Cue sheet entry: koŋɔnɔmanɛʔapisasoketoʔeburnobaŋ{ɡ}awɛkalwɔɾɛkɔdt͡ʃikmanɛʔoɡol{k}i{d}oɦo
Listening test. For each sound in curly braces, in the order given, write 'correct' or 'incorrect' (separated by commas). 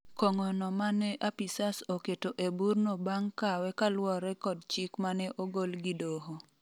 incorrect, incorrect, correct